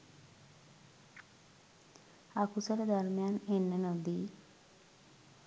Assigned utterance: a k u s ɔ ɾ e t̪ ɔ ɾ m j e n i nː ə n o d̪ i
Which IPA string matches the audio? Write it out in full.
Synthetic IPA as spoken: a k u s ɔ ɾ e d̪ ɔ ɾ m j a n e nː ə n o d̪ i